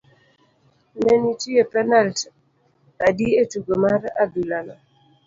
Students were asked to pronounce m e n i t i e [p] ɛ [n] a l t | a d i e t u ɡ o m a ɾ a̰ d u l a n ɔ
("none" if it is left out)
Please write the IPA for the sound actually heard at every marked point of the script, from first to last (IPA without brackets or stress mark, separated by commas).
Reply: p, n